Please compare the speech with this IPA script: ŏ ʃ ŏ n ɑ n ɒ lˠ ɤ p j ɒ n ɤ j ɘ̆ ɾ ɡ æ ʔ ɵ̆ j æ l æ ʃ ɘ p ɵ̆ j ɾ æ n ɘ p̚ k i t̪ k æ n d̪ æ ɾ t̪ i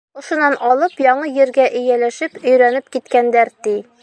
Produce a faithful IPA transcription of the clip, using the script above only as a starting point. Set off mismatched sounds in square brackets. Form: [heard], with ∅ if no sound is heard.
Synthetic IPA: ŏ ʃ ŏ n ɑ n ɒ lˠ ɤ p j ɒ [ɴ] ɤ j ɘ̆ ɾ ɡ æ ʔ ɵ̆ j æ l æ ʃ ɘ p ɵ̆ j ɾ æ n ɘ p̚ k i t̪ k æ n d̪ æ ɾ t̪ i